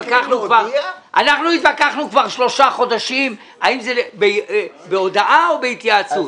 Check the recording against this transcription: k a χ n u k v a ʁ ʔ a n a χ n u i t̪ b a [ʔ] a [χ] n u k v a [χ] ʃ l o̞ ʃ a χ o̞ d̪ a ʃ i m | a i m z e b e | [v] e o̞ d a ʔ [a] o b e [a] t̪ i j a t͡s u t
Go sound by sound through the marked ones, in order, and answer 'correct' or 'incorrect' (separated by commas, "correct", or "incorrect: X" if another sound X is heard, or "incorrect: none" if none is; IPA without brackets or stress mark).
incorrect: k, correct, incorrect: ʁ, incorrect: b, correct, incorrect: i